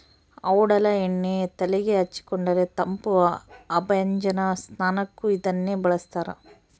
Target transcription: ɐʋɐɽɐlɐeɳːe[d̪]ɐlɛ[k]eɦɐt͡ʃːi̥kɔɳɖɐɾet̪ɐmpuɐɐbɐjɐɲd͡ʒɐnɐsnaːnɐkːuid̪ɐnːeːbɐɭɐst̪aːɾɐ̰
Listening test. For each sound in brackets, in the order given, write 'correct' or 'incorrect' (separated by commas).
incorrect, incorrect